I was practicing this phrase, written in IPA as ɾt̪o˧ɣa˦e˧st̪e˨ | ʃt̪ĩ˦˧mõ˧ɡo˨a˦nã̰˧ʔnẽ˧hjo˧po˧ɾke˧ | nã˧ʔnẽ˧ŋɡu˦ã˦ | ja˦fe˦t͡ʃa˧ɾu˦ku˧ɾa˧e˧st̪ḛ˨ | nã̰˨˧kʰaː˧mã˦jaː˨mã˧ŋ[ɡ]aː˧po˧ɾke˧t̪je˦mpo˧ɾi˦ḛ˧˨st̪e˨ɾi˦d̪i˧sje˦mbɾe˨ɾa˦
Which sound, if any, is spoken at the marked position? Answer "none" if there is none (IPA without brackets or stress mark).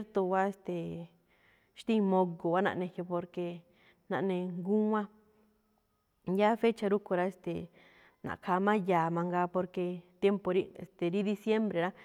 ɡ